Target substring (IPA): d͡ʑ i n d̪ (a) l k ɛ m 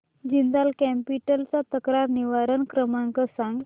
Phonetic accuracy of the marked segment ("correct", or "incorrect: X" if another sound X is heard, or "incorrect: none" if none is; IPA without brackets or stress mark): correct